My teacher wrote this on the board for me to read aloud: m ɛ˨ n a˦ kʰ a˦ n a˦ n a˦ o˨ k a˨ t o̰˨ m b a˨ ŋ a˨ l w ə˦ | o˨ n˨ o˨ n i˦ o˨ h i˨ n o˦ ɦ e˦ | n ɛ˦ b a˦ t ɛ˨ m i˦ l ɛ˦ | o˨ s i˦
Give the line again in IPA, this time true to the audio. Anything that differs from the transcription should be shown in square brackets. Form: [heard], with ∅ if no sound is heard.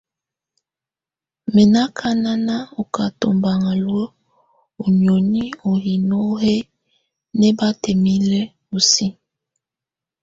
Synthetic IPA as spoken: m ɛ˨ n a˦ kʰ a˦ n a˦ n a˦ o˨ k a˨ t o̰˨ m b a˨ ŋ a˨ l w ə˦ | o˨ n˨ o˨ n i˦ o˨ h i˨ n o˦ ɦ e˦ | n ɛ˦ b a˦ t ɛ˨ m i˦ l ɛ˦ | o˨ s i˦